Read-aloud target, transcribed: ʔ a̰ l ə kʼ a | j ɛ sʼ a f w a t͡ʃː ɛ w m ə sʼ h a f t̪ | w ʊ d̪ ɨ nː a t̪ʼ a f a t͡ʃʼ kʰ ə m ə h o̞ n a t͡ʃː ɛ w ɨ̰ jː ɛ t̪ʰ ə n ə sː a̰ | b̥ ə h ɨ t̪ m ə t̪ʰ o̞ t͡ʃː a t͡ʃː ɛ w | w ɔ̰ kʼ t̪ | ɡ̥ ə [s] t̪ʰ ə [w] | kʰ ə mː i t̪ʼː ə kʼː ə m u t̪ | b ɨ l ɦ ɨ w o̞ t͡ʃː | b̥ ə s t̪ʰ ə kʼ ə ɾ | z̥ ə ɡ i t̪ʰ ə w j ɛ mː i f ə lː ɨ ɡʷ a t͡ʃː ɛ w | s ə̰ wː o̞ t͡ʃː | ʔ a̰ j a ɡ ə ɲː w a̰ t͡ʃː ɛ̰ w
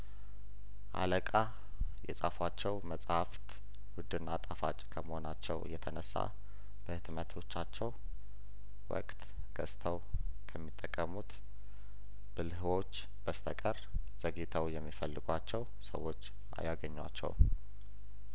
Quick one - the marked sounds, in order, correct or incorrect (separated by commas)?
correct, correct